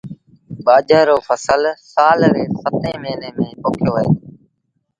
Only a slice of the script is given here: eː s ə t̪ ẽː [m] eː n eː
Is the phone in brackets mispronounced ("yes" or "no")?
no